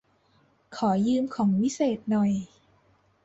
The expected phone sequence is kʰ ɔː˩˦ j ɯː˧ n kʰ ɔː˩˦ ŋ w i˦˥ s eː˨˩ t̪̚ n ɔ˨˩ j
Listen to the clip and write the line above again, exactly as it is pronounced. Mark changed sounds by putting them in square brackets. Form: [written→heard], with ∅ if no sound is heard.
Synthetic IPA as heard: kʰ ɔː˩˦ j ɯː˧ [n→m] kʰ ɔː˩˦ ŋ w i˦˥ s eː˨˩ t̪̚ n ɔ˨˩ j